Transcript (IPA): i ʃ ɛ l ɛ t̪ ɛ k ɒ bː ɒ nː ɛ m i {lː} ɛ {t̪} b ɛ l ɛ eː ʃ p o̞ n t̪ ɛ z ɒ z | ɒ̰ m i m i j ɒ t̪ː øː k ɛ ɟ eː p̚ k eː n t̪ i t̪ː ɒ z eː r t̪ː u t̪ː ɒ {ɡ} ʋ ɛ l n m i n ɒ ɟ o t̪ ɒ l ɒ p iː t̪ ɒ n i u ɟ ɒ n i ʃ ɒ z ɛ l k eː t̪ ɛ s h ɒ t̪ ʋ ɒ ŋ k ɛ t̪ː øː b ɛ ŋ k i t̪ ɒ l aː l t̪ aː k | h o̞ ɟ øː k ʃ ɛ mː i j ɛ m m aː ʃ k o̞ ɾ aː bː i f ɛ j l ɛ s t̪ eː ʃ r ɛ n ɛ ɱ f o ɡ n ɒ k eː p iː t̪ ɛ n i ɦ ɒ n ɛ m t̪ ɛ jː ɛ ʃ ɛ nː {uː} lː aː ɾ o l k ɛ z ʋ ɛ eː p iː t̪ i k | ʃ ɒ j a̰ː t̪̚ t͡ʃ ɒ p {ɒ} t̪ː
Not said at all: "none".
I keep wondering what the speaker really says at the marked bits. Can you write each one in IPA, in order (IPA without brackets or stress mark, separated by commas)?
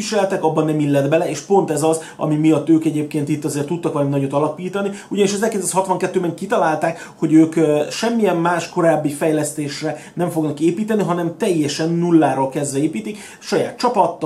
lː, d̪, k, u, ɒ